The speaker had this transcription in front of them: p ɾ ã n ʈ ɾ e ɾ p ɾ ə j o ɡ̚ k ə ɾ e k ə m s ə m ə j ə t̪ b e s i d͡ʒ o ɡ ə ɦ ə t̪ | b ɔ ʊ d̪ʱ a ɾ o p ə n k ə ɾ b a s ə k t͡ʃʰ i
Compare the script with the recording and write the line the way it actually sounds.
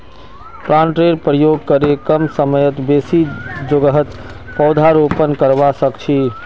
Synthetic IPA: p ɾ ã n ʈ ɾ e ɾ p ɾ ə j o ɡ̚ k ə ɾ e k ə m s ə m ə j ə t̪ b e s i d͡ʒ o ɡ ə ɦ ə t̪ | p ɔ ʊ d̪ʱ a ɾ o p ə n k ə ɾ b a s ə k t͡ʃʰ i